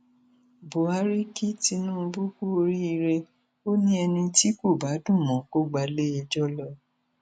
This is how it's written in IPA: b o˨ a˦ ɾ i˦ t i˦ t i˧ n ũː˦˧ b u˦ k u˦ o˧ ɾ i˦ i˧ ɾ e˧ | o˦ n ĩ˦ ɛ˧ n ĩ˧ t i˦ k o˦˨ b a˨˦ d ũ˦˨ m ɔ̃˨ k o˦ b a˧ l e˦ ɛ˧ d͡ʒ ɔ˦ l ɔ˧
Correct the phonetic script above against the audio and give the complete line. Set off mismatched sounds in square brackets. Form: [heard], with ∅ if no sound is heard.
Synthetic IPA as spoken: b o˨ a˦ ɾ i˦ [k] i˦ t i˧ n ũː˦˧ b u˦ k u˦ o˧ ɾ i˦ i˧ ɾ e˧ | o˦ n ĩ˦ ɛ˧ n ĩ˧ t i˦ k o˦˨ b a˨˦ d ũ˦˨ m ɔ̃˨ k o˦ [ɡ͡b] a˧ l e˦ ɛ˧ d͡ʒ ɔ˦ l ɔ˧